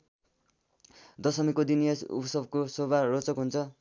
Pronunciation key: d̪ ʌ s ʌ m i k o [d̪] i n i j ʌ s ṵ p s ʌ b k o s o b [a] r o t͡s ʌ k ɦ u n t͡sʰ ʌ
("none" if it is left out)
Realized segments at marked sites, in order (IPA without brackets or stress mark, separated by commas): d̪, a